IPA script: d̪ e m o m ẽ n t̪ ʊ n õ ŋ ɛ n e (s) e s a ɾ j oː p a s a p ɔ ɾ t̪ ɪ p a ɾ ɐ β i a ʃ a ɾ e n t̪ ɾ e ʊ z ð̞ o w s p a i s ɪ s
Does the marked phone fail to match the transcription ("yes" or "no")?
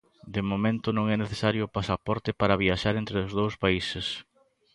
yes